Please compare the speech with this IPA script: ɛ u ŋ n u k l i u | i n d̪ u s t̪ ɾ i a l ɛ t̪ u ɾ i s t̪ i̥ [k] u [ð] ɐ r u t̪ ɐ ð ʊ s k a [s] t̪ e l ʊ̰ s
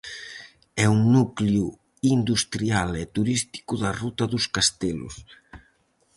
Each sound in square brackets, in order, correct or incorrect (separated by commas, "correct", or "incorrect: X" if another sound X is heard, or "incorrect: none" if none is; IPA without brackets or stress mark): correct, correct, correct